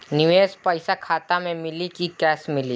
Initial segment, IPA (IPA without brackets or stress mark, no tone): n